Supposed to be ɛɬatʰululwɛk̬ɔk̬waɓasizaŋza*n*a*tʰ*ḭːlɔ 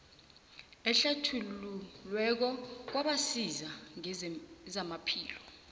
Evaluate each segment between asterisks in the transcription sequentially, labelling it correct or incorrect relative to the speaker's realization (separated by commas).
incorrect, incorrect